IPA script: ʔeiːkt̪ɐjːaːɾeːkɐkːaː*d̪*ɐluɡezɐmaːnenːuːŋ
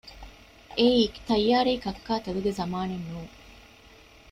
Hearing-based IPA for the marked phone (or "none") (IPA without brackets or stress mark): t̪